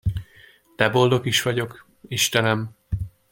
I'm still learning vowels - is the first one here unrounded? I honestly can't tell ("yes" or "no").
yes